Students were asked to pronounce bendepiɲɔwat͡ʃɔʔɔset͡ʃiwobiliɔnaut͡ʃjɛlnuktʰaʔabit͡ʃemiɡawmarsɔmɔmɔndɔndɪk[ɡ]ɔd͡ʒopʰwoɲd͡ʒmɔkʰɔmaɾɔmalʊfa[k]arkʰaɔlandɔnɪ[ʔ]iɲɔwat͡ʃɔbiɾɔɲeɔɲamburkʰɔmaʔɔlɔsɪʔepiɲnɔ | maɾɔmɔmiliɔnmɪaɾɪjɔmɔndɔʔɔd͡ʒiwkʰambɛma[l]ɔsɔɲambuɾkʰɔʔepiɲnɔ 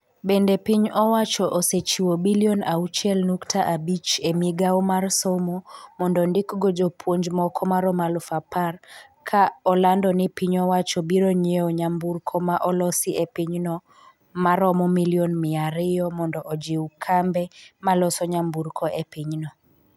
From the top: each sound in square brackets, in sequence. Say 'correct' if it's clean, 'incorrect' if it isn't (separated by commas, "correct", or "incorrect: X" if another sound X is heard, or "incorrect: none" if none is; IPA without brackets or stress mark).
correct, incorrect: p, incorrect: p, correct